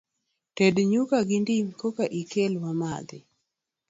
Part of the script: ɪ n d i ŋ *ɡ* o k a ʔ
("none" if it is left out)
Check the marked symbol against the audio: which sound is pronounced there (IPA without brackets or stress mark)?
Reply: k